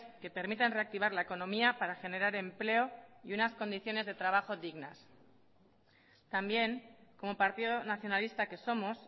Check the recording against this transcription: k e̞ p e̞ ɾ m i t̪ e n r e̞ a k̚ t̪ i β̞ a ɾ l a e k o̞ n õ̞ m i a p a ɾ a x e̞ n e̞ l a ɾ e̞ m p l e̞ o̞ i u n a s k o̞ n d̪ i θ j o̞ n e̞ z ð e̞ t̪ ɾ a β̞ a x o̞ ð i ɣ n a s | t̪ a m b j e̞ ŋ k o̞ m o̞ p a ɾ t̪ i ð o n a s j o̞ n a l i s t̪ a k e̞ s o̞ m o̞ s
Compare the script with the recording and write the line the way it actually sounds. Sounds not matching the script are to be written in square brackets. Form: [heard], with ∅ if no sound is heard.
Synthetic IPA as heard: k e̞ p e̞ ɾ m i t̪ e n r e̞ a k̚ t̪ i β̞ a ɾ l a e k o̞ n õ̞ m i a p a ɾ a x e̞ n e̞ [ɾ] a ɾ e̞ m p l e̞ o̞ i u n a s k o̞ n d̪ i θ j o̞ n e̞ z ð e̞ t̪ ɾ a β̞ a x o̞ ð i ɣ n a s | t̪ a m b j e̞ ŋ k o̞ m o̞ p a ɾ t̪ i ð o n a [θ] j o̞ n a l i s t̪ a k e̞ s o̞ m o̞ s